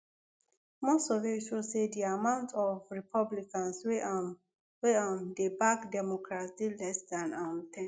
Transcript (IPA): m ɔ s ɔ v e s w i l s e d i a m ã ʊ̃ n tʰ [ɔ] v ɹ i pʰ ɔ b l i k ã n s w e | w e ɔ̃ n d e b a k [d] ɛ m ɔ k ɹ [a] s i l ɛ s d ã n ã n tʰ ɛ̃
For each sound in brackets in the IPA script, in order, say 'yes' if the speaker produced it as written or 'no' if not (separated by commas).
yes, yes, yes